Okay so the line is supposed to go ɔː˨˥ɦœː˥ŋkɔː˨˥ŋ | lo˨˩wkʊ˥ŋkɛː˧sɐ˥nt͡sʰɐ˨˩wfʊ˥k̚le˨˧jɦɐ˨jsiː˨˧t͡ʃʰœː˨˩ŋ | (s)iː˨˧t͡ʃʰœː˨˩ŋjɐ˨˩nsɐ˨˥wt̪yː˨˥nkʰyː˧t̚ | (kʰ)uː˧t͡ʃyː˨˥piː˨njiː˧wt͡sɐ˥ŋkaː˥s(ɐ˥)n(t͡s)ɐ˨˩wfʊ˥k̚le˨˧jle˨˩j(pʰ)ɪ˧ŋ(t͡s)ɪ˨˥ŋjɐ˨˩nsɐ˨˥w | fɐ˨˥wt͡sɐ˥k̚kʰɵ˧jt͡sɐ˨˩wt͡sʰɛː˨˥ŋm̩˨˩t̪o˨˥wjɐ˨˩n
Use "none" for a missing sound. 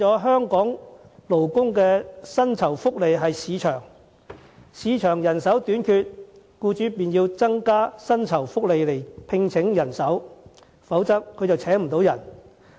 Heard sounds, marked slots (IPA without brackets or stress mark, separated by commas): s, k, ɐ˥, t͡sʰ, pʰ, t͡sʰ